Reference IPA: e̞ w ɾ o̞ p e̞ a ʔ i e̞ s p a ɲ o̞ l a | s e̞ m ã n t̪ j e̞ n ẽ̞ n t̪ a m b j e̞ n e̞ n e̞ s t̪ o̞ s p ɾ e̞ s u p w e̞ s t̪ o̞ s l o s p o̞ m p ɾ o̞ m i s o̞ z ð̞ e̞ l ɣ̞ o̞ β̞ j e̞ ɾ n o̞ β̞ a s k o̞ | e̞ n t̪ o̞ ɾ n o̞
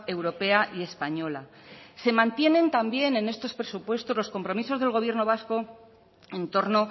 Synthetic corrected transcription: e̞ w ɾ o̞ p e̞ a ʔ i e̞ s p a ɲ o̞ l a | s e̞ m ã n t̪ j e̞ n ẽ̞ n t̪ a m b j e̞ n e̞ n e̞ s t̪ o̞ s p ɾ e̞ s u p w e̞ s t̪ o̞ z l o s k o̞ m p ɾ o̞ m i s o̞ z ð̞ e̞ l ɣ̞ o̞ β̞ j e̞ ɾ n o̞ β̞ a s k o̞ | e̞ n t̪ o̞ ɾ n o̞